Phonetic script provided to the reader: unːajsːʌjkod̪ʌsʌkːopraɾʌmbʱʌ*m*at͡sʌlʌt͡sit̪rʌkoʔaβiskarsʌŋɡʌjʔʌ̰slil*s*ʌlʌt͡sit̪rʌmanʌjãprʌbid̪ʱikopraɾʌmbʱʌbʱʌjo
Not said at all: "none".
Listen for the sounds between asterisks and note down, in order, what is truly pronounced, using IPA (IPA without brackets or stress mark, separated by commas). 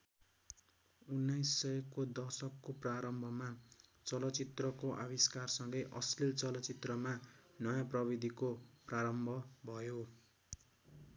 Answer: m, t͡s